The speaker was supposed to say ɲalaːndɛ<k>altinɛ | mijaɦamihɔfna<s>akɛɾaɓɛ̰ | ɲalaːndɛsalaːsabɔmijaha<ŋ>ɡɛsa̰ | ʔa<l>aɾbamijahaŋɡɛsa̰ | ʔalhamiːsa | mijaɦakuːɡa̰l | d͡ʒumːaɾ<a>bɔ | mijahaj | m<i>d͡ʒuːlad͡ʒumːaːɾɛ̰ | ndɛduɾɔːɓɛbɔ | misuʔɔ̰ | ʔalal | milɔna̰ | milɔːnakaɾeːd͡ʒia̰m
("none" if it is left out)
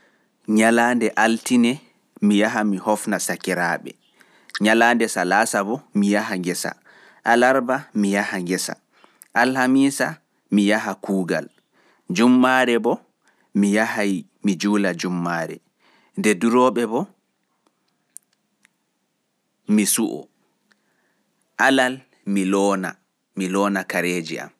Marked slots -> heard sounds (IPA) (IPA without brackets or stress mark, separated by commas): ʔ, s, ŋ, l, ɛ, i